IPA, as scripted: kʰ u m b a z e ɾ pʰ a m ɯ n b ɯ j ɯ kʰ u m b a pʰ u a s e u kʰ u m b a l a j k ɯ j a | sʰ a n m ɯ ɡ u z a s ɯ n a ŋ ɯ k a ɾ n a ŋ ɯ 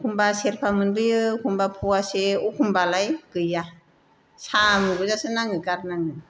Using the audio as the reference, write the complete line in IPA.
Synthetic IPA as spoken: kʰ u m b a s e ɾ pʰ a m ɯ n b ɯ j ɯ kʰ u m b a pʰ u a s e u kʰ u m b a l a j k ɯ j a | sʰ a m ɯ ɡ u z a s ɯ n a ŋ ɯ k a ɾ n a ŋ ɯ